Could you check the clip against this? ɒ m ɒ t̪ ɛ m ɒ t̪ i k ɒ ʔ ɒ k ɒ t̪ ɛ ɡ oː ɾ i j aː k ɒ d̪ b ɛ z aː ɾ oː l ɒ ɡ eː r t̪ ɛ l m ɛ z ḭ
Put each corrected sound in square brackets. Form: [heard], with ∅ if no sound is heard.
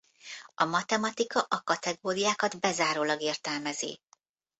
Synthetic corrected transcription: ɒ m ɒ t̪ ɛ m ɒ t̪ i k ɒ ʔ ɒ k ɒ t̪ ɛ ɡ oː ɾ i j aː k ɒ d̪ b ɛ z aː ɾ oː l ɒ ɡ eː r t̪ ɛ l m ɛ z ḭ